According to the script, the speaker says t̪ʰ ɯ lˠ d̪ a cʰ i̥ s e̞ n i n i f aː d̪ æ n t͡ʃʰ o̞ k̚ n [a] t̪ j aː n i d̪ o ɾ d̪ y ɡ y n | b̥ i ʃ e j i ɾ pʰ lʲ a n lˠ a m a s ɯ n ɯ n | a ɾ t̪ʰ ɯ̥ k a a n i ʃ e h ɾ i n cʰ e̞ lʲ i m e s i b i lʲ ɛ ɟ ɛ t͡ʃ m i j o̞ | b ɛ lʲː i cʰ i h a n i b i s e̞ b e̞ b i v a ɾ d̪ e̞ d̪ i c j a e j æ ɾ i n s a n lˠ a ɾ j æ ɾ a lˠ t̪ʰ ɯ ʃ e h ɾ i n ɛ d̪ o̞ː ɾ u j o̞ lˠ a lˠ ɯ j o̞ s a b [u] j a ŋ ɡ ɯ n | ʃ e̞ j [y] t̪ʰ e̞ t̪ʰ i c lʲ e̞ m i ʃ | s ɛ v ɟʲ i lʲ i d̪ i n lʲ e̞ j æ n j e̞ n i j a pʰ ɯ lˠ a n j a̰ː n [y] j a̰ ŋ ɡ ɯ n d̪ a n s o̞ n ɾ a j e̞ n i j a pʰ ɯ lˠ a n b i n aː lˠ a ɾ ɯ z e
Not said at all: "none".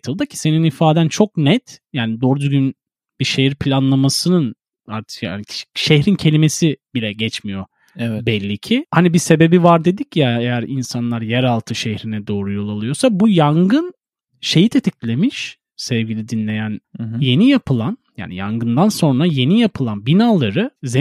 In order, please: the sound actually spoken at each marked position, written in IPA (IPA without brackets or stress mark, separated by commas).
ɛ, u, i, i